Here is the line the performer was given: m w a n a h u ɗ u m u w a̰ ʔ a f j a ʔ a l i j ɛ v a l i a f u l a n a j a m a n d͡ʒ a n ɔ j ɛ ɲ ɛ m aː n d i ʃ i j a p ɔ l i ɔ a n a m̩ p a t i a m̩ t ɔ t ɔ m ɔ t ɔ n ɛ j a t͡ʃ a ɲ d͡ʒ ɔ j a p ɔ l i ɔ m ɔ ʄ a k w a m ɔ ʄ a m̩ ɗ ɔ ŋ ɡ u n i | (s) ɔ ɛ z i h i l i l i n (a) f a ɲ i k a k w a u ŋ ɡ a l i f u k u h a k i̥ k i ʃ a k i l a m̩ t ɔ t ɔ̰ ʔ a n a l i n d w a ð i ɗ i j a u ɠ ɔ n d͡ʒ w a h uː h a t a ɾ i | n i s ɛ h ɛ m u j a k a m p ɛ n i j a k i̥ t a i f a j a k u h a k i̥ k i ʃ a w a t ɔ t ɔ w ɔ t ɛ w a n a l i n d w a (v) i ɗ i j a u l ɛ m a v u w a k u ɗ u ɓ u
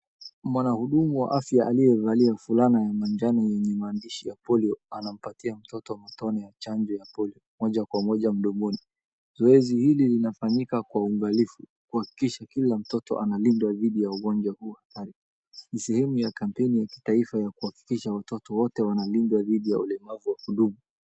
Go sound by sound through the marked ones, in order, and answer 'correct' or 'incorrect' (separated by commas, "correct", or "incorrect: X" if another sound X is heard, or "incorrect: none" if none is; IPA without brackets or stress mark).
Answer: incorrect: z, correct, incorrect: ð